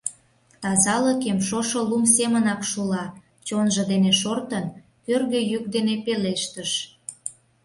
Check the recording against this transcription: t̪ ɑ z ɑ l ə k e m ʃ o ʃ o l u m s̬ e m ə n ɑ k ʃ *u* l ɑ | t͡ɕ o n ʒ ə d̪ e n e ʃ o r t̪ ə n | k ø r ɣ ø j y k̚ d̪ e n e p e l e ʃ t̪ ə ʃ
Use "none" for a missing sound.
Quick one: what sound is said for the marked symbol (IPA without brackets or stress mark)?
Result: u